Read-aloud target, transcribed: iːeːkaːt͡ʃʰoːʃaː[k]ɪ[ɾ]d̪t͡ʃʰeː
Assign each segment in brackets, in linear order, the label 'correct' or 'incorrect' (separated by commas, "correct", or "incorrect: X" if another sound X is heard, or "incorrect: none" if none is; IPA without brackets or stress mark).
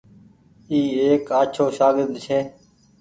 incorrect: ɡ, correct